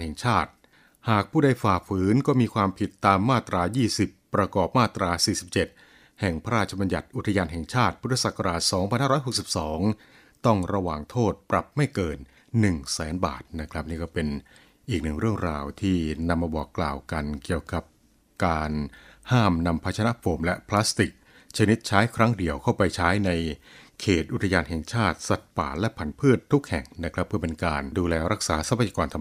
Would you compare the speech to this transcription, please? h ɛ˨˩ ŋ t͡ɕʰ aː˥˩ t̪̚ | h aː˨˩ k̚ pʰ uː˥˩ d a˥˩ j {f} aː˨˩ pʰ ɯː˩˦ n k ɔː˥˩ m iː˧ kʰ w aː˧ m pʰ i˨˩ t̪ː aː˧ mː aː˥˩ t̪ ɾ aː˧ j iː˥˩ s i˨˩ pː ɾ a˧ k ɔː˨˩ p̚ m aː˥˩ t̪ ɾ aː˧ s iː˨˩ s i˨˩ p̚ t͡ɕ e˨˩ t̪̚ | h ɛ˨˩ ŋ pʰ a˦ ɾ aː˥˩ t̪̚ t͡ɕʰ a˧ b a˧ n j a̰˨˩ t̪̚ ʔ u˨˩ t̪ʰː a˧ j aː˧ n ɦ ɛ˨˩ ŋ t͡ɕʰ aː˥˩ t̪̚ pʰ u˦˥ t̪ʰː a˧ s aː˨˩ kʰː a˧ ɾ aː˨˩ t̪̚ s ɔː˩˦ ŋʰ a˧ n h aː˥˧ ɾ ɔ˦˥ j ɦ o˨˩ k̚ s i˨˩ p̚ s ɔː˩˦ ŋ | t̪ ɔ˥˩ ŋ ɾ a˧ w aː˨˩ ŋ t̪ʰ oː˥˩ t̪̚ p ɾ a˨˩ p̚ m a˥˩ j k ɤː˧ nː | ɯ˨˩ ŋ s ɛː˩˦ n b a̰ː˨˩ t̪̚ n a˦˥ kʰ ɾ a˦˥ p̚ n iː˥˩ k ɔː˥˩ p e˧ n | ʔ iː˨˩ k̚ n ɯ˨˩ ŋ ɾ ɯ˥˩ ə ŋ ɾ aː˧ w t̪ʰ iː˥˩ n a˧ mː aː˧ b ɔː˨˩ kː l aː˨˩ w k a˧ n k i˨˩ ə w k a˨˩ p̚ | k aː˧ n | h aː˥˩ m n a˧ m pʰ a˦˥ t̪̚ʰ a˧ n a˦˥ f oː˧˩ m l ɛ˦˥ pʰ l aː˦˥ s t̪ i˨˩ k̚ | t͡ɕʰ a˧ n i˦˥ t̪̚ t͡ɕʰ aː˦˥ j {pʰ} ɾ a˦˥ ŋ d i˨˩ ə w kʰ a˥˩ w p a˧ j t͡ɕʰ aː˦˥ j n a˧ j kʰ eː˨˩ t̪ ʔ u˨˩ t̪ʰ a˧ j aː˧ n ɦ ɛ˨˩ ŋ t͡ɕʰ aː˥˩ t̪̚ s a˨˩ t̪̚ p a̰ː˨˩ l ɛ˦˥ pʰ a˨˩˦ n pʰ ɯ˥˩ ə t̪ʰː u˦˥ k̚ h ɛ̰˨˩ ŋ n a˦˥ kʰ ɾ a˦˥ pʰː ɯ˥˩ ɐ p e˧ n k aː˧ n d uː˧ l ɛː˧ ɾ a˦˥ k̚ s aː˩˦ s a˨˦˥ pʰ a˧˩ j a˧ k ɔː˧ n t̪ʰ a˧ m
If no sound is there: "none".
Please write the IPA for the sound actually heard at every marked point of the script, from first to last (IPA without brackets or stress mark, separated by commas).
f, kʰ